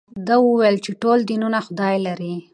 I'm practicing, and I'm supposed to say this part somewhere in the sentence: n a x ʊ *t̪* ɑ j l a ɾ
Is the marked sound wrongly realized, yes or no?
yes